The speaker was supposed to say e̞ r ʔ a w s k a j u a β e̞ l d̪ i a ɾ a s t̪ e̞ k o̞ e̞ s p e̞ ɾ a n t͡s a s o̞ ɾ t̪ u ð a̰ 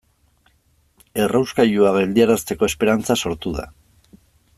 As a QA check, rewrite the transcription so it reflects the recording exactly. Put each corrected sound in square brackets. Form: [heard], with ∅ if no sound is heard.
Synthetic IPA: e̞ r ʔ a w s k a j u a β e̞ l d̪ i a ɾ a s t̪ e̞ k o̞ e̞ s p e̞ ɾ a n t͡s a s o̞ ɾ t̪ u ð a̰